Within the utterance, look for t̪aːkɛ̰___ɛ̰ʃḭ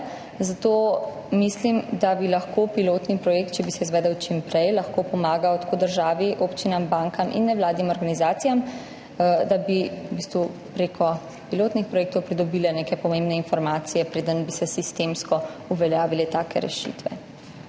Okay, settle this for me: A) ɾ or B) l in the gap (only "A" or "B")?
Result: A